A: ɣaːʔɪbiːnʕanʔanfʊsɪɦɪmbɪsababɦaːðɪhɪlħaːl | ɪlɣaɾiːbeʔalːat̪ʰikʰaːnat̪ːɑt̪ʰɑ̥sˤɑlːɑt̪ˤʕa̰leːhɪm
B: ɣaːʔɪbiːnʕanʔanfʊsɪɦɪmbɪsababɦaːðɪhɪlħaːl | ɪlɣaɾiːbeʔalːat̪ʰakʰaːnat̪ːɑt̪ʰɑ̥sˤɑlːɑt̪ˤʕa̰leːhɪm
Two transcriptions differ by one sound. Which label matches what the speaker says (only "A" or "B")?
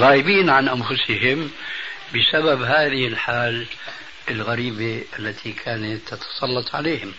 A